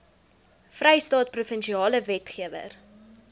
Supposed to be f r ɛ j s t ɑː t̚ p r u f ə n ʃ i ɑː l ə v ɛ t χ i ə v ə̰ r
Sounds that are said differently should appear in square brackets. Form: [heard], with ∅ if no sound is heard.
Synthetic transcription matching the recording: f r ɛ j s t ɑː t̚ p r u f ə n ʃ i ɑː l ə v ɛ t χ i ə v ə̰ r